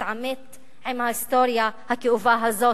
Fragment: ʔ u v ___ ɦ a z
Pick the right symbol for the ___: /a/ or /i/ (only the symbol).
a